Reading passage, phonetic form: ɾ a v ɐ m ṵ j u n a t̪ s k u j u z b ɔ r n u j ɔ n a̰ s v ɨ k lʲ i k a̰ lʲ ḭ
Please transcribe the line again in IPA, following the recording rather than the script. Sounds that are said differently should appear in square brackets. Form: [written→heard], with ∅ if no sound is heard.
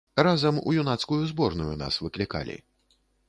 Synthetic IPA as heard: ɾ a [v→z] ɐ m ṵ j u n a t̪ s k u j u z b ɔ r n u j [ɔ→u] n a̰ s v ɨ k lʲ i k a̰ lʲ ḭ